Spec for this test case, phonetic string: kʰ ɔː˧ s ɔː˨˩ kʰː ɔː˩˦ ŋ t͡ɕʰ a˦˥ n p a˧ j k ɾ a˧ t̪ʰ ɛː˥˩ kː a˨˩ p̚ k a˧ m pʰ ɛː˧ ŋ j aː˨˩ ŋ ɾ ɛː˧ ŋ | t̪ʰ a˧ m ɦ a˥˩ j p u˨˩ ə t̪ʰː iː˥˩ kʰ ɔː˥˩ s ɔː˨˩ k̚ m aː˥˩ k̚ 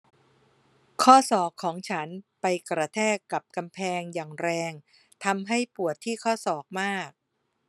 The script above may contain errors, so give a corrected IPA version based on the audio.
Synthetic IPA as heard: kʰ ɔː˥˩ s ɔː˨˩ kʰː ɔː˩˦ ŋ t͡ɕʰ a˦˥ n p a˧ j k ɾ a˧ t̪ʰ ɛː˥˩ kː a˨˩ p̚ k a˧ m pʰ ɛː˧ ŋ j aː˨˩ ŋ ɾ ɛː˧ ŋ | t̪ʰ a˧ m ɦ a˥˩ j p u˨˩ ə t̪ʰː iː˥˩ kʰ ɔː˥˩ s ɔː˨˩ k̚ m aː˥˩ k̚